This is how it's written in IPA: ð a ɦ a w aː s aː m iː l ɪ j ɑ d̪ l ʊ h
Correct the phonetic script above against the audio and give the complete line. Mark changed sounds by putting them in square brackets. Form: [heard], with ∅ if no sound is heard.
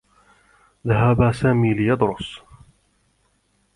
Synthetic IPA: ð a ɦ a [b] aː s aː m iː l ɪ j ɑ d̪ [ɾ] ʊ [s]